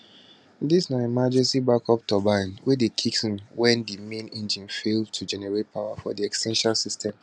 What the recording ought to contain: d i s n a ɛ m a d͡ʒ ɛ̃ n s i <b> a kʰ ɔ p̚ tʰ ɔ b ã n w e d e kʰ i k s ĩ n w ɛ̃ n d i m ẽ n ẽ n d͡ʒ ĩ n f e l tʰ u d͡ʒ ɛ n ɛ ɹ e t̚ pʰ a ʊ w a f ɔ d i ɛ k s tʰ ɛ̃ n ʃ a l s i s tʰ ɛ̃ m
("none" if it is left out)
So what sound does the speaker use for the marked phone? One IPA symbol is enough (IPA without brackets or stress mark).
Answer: b